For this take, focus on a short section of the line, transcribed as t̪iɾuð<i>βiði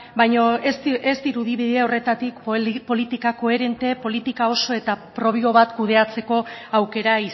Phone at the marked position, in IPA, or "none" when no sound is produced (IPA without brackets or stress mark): i